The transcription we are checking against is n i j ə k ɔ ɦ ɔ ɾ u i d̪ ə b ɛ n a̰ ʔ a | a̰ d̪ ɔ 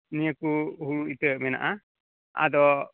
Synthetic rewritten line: n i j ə k u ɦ u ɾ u i t̪ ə m ɛ n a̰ ʔ a | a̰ d̪ ɔ